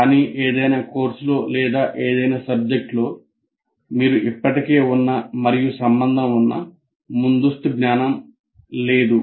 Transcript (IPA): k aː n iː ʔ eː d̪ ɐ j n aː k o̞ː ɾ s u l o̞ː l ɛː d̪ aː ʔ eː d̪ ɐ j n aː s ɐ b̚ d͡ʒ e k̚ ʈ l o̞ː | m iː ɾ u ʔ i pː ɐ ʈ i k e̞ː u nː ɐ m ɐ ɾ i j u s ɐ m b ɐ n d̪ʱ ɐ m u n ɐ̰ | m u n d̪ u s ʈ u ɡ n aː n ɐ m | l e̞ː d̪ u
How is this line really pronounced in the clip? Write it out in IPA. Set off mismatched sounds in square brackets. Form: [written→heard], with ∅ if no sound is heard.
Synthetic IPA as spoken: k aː n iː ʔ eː d̪ ɐ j n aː k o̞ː ɾ s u l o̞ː l ɛː d̪ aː ʔ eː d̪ ɐ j n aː s ɐ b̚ d͡ʒ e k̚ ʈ l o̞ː | m iː ɾ u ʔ i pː ɐ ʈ i k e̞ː u nː ɐ m ɐ ɾ i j u s ɐ m b ɐ n d̪ʱ ɐ m u [n→nː] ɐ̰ | m u n d̪ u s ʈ u ɡ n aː n ɐ m | l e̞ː d̪ u